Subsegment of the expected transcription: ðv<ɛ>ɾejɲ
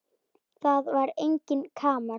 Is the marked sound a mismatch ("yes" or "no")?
yes